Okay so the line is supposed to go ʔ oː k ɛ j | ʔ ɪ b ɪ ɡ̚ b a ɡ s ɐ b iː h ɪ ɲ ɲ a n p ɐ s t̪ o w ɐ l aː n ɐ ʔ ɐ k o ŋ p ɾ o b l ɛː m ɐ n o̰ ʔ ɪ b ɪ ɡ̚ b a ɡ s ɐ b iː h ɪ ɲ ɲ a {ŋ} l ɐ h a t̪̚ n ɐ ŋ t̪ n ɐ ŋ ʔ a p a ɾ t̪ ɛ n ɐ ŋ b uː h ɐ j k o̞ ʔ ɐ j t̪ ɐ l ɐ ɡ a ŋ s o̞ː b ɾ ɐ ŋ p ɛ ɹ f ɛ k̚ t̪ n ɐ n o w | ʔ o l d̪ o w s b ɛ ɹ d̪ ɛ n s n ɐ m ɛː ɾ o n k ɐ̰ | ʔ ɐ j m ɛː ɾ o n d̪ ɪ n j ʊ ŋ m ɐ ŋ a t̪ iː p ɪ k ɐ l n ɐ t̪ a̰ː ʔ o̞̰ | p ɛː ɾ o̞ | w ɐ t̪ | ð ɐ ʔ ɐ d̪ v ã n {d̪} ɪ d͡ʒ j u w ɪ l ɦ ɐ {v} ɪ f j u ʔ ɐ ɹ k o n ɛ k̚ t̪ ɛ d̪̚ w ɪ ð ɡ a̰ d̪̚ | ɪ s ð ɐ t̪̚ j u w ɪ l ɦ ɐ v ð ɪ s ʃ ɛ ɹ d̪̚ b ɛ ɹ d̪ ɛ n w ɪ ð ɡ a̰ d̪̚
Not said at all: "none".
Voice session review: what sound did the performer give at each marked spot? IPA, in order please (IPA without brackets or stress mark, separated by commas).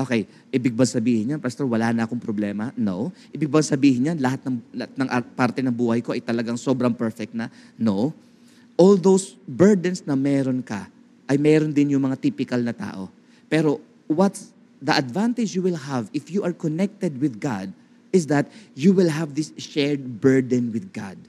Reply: n, t̪, v